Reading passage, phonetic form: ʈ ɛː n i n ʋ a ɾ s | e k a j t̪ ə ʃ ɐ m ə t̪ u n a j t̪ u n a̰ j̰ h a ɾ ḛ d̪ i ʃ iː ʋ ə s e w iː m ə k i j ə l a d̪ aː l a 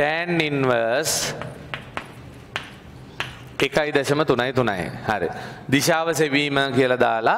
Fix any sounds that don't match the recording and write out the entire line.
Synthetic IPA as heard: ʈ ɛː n i n ʋ ə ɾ s | e k a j d̪ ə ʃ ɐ m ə t̪ u n a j t̪ u n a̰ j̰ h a ɾ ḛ d̪ i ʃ aː ʋ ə s e ʋ iː m ə k i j ə l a d̪ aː l a